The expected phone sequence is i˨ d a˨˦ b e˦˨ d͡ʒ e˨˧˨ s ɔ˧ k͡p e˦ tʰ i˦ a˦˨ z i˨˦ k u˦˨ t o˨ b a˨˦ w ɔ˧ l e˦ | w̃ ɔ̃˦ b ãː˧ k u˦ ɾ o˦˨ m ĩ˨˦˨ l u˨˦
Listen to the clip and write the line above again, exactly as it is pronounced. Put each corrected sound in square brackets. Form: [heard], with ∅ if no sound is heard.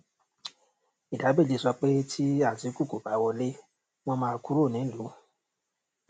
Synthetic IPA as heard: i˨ d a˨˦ b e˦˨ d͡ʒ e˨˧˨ s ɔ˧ k͡p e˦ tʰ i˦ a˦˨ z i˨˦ k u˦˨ [k] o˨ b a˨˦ w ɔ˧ l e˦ | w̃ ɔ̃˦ [m] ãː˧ k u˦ ɾ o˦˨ [n] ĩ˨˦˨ l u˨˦